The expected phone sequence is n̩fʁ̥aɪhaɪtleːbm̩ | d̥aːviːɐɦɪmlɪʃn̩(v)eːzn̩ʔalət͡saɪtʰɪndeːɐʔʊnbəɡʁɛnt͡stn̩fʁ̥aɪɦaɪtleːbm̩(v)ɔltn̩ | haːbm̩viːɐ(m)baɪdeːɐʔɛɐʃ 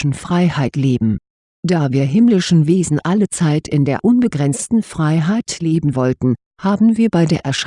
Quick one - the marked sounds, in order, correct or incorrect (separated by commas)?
correct, correct, incorrect